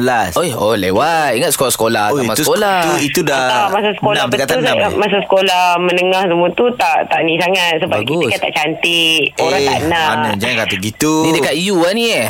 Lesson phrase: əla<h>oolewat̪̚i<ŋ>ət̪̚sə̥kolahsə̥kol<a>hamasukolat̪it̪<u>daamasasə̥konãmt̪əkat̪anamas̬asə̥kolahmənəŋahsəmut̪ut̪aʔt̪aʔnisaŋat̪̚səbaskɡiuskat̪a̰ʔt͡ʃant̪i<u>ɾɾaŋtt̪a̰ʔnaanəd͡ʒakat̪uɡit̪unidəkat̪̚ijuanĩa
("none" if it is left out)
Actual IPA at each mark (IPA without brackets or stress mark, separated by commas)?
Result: s, ŋ, a, u, o